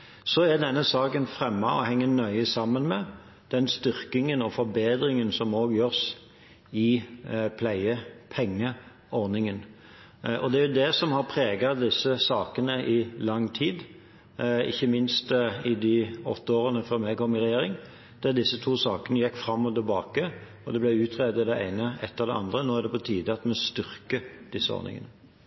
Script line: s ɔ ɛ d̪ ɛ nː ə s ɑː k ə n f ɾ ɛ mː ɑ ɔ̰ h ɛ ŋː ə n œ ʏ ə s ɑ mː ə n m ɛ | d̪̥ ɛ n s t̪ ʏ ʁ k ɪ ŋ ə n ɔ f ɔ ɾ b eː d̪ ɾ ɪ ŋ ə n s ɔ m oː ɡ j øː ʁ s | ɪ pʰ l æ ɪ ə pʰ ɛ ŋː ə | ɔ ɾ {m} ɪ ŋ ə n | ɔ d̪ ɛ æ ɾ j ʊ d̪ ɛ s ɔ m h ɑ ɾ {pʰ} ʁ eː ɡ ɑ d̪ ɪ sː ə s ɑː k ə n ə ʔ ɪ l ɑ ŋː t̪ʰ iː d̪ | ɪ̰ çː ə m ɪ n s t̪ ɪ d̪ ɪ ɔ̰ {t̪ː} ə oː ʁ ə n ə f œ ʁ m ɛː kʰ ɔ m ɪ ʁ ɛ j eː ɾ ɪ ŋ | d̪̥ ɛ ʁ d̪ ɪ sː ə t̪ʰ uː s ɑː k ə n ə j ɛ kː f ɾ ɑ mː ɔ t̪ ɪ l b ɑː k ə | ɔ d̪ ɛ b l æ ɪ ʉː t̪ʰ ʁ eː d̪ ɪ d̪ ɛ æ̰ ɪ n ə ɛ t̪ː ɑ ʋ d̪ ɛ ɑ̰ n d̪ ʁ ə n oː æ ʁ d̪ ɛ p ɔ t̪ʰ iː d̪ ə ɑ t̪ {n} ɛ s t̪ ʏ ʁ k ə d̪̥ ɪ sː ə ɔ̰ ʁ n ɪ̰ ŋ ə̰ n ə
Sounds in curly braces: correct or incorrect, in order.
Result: incorrect, correct, correct, incorrect

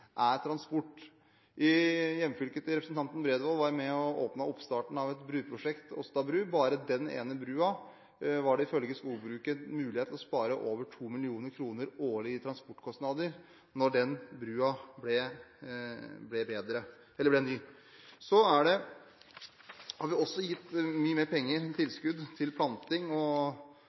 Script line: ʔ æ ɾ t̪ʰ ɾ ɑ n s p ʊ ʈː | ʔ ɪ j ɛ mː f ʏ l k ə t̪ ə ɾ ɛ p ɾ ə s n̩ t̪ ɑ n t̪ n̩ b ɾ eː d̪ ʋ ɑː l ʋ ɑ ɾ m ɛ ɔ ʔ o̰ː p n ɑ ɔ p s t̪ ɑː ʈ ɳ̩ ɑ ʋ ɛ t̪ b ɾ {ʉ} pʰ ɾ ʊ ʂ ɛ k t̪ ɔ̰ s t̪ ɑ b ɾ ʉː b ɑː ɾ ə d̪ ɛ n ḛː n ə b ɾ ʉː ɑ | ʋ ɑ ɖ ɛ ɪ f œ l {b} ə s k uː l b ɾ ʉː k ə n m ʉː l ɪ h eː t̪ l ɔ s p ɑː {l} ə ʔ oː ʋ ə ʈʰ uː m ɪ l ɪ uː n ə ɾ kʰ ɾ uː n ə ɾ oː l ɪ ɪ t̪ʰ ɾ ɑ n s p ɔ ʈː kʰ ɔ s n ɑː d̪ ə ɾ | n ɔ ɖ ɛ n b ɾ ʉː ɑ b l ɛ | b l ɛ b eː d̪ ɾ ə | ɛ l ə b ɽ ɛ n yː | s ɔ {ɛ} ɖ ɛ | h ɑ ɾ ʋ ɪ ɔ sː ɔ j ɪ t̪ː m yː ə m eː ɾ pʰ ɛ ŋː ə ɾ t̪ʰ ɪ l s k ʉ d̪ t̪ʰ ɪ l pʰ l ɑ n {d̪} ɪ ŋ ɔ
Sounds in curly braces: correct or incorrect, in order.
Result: incorrect, incorrect, incorrect, incorrect, incorrect

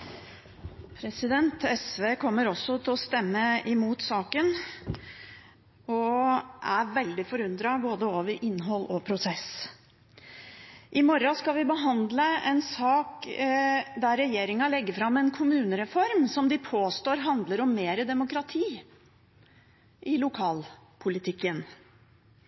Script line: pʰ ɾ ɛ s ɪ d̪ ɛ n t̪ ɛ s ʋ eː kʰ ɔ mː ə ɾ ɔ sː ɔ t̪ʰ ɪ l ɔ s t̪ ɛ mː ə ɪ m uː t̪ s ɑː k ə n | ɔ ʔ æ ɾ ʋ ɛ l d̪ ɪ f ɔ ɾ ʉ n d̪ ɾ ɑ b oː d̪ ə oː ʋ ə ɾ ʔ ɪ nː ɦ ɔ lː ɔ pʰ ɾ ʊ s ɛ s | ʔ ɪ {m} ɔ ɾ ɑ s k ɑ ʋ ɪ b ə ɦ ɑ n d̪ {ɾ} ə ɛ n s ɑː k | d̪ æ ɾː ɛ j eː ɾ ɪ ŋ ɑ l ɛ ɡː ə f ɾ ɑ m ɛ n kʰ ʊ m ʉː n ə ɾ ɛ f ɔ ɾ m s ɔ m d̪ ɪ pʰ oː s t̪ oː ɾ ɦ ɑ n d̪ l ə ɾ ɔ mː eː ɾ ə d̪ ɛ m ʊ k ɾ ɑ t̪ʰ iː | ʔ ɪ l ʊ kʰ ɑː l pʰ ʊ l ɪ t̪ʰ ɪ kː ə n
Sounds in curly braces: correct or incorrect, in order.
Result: correct, incorrect

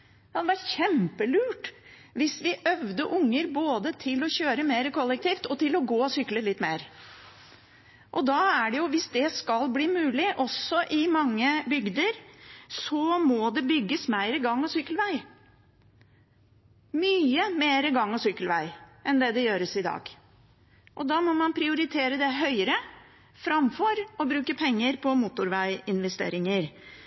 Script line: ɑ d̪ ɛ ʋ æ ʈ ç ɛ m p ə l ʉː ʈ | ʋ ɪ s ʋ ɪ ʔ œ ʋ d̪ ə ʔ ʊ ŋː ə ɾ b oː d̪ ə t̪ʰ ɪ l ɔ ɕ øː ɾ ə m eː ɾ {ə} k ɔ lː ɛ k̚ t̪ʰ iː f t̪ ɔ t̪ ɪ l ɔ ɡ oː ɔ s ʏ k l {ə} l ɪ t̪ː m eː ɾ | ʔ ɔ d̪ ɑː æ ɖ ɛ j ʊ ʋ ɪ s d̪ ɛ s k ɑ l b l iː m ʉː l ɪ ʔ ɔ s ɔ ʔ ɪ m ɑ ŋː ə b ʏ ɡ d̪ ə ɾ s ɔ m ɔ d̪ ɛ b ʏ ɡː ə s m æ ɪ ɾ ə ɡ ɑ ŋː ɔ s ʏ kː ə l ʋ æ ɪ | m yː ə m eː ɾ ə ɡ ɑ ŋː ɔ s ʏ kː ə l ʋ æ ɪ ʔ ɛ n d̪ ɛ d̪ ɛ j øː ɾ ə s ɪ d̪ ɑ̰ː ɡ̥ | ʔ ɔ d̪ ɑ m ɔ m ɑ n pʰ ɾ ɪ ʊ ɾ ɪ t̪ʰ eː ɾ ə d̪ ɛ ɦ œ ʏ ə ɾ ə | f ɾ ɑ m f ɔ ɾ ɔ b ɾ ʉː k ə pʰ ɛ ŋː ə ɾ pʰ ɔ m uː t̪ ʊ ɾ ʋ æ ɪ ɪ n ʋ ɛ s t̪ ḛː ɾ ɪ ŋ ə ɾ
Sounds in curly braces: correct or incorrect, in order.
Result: correct, correct

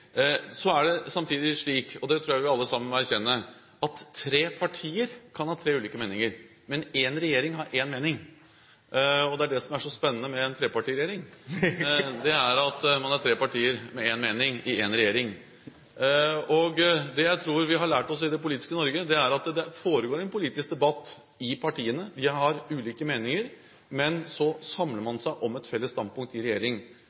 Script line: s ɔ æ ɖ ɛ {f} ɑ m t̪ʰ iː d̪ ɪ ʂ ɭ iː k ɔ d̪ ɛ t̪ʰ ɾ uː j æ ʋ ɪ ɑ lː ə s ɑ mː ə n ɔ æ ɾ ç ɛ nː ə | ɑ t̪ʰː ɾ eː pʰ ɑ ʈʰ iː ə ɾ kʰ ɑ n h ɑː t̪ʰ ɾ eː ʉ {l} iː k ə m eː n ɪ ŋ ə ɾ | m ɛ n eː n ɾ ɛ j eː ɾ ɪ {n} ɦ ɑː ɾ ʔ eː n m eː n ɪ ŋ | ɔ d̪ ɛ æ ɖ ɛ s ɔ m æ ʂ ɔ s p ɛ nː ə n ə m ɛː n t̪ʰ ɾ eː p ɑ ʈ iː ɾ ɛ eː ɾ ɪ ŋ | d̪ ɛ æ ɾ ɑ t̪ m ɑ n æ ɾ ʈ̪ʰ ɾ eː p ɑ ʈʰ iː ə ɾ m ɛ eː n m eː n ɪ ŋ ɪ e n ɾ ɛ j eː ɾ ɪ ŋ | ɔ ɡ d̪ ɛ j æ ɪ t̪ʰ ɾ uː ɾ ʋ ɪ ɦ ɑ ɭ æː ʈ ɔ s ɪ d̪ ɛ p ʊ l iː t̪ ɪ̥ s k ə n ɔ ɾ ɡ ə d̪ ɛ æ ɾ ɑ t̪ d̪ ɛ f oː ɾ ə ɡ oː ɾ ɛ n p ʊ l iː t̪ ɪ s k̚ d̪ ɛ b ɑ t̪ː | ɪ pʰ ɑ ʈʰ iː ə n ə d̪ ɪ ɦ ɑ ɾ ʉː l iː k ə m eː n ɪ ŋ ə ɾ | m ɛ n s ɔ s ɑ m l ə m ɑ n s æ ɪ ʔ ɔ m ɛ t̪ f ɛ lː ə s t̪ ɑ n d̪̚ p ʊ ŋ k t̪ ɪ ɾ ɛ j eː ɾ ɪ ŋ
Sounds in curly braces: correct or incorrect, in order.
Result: incorrect, correct, incorrect

